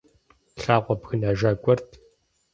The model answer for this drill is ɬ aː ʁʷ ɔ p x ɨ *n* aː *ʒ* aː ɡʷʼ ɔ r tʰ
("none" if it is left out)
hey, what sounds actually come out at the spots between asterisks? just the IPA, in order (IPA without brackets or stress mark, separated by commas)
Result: n, ʒ